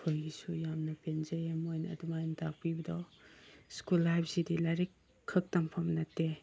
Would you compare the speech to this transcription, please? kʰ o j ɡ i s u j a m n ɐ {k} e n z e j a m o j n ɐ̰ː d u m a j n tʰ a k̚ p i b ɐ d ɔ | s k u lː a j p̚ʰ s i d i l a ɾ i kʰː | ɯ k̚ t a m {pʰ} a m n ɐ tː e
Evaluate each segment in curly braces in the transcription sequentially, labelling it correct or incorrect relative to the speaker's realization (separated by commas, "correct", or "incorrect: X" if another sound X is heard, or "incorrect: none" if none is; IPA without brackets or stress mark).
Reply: incorrect: p, correct